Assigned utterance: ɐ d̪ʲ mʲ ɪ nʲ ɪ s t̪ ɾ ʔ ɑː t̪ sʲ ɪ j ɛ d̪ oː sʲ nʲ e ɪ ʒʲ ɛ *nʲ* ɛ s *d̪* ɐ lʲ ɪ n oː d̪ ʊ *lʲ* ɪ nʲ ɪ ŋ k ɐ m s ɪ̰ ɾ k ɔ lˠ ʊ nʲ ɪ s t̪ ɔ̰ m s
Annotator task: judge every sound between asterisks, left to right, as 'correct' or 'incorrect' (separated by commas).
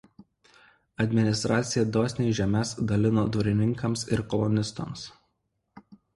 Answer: incorrect, correct, incorrect